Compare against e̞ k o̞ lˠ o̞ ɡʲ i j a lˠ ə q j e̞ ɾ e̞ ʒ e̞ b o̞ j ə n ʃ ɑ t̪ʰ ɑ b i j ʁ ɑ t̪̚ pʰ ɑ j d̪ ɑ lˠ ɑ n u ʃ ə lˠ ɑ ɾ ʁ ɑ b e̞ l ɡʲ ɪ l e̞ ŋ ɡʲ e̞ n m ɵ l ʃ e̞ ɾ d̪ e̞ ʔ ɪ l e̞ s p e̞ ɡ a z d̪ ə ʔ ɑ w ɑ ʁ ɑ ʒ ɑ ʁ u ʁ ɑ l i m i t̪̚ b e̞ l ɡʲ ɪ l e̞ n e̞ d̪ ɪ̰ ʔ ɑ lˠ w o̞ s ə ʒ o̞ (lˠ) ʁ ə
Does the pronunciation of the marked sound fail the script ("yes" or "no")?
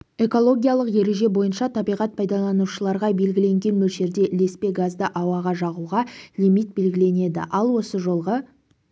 no